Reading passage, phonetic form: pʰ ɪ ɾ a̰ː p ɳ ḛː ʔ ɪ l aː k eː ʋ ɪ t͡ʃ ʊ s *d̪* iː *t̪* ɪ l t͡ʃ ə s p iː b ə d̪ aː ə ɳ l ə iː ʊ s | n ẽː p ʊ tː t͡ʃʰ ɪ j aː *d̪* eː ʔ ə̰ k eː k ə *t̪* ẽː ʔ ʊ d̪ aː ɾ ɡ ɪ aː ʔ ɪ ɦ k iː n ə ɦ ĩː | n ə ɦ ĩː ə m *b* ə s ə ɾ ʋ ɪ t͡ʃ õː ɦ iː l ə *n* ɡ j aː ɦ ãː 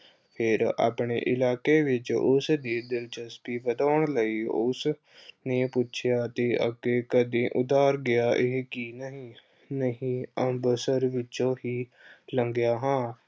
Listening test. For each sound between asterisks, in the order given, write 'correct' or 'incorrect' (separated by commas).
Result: correct, incorrect, incorrect, incorrect, correct, incorrect